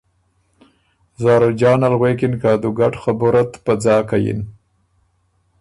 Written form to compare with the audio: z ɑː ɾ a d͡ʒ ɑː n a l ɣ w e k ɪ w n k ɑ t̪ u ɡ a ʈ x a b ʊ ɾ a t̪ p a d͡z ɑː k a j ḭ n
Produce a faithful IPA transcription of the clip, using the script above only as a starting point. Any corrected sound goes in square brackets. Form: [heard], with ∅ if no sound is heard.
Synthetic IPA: z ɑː ɾ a d͡ʒ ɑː n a l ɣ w e k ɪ [∅] n k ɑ [d̪] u ɡ a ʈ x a b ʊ ɾ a t̪ p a d͡z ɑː k a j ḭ n